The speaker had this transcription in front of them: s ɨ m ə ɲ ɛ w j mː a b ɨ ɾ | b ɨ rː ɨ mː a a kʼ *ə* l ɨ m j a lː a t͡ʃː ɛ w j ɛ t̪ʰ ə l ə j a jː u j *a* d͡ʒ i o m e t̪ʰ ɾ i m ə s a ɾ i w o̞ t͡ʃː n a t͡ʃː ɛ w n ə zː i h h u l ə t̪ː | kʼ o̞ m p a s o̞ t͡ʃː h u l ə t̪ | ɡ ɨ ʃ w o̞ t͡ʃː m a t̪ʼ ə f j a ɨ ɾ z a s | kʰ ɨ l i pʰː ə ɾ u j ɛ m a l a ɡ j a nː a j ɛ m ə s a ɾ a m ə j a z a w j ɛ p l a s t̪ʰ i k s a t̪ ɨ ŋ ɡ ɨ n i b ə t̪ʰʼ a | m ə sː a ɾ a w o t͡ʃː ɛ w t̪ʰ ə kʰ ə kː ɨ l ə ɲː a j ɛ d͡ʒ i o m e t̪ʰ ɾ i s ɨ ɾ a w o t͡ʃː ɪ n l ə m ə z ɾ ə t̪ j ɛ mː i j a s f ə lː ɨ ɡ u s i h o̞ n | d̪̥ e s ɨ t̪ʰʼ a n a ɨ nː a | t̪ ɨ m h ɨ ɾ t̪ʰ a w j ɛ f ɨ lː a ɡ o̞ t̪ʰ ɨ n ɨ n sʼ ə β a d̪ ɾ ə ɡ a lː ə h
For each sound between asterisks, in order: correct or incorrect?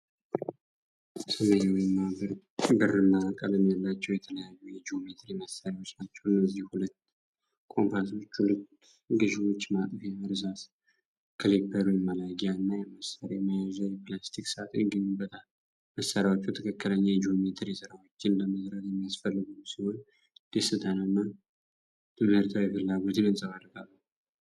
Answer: correct, incorrect: ɛ

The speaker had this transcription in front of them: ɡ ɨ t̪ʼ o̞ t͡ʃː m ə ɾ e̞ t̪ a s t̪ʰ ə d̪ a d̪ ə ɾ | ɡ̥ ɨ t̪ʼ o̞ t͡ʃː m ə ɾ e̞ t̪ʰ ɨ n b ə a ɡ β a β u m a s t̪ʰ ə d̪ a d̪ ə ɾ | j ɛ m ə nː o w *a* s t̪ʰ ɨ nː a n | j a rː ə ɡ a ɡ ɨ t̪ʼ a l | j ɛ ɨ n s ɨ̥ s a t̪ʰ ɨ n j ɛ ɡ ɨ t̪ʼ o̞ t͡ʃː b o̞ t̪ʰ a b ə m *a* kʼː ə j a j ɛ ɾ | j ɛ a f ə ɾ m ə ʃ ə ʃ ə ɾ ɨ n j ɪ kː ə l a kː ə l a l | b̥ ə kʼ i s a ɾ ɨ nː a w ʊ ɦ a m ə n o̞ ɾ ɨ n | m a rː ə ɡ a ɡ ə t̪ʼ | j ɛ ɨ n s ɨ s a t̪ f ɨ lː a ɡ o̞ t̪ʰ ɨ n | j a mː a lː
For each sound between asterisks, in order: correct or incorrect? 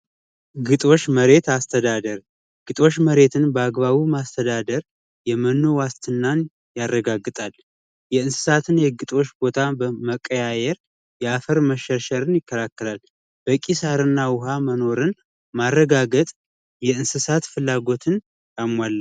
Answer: correct, incorrect: ə

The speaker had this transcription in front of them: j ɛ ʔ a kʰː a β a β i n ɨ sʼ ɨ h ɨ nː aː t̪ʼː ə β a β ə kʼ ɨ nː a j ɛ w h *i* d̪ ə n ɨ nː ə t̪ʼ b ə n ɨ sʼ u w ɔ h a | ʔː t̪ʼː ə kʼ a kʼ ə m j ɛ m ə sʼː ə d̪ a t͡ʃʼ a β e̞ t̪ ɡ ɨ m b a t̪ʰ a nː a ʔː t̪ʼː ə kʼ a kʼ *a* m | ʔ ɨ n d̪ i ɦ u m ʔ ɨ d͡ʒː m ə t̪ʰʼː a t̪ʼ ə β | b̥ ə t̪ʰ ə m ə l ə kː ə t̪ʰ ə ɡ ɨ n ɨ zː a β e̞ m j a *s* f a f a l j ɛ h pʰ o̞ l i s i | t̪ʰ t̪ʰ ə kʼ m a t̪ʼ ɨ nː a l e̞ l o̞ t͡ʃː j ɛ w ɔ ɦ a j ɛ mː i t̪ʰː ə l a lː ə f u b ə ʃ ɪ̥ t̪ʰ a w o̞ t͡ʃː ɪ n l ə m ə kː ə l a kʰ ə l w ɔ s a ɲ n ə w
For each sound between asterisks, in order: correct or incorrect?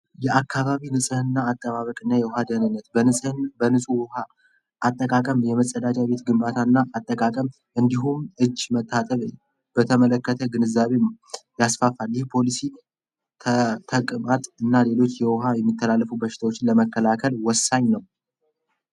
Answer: incorrect: a, incorrect: ə, correct

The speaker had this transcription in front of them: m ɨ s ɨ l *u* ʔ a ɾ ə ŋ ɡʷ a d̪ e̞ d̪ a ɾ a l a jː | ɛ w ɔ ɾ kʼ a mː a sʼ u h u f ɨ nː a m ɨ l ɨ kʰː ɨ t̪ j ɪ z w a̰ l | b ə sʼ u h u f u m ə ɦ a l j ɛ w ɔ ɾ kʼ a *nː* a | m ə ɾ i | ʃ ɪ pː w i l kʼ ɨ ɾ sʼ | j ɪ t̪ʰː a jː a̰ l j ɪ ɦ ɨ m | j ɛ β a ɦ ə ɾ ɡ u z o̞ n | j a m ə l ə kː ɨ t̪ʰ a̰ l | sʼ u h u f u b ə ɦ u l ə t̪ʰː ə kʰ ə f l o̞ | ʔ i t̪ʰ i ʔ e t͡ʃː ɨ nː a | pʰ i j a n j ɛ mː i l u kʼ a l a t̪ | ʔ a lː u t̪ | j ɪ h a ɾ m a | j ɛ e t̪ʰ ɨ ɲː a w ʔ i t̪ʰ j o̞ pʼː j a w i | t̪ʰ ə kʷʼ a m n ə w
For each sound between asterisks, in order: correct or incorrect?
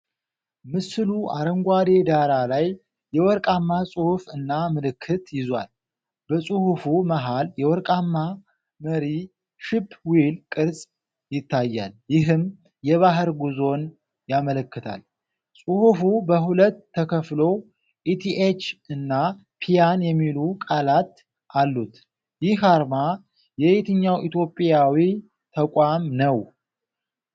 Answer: correct, incorrect: mː

